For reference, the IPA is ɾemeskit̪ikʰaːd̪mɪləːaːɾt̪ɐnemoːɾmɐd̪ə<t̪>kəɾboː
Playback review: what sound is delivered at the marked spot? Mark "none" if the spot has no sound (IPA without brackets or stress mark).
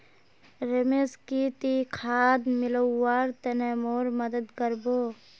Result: d̪